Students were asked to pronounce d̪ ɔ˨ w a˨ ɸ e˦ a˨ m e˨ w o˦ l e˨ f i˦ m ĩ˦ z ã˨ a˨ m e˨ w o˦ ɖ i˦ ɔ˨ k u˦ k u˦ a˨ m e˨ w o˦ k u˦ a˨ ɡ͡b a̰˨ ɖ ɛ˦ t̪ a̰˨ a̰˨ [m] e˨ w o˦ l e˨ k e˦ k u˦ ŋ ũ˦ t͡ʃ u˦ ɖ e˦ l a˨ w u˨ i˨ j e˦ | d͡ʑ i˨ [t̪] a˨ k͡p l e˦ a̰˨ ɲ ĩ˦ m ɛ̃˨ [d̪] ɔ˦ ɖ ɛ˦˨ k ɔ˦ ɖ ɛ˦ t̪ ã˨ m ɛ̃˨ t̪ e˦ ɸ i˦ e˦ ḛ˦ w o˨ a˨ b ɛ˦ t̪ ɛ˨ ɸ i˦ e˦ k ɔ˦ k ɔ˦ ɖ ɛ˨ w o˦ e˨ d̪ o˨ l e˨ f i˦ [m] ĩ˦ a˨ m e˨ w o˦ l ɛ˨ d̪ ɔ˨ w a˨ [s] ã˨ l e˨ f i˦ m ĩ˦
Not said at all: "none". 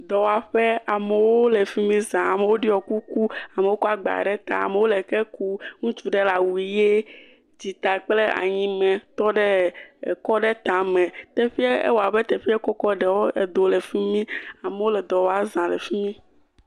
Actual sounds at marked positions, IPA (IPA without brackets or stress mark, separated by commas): m, t̪, t̪, m, z